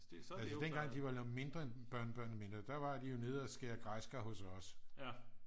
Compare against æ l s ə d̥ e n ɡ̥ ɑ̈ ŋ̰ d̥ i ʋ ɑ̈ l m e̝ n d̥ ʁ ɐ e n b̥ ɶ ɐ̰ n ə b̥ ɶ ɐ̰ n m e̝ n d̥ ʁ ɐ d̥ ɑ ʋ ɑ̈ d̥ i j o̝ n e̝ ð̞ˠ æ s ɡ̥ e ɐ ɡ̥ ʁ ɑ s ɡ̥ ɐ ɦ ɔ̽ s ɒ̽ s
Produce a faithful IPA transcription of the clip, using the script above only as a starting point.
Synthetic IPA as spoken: æ l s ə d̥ e n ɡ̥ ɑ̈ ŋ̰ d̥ i ʋ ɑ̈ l m e̝ n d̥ ʁ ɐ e n b̥ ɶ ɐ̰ n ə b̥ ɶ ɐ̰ n m e̝ n d̥ ʁ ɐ d̥ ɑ ʋ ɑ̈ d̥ i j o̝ n e̝ ð̞ˠ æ s ɡ̥ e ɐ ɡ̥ ʁ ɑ s ɡ̥ ɐ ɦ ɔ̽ s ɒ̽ s